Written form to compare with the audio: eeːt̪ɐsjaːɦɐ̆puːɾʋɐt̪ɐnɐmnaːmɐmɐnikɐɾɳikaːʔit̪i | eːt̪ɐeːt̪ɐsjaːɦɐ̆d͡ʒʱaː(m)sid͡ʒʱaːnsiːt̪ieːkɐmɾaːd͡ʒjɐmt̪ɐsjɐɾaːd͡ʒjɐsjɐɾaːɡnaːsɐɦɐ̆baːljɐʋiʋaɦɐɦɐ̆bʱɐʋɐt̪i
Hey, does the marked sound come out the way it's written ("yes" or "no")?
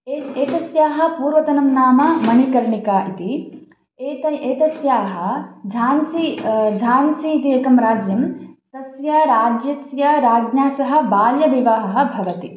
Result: no